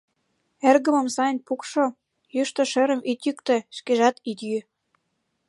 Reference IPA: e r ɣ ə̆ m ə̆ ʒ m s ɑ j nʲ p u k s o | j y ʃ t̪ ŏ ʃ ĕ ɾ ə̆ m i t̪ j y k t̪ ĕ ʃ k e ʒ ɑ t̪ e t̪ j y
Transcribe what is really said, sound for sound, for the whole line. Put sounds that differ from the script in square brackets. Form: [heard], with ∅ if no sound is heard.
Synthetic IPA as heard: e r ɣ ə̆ m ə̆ [∅] m s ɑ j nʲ p u k [ʃ] o | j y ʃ t̪ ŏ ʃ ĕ ɾ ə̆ m i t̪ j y k t̪ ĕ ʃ k e ʒ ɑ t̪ [i] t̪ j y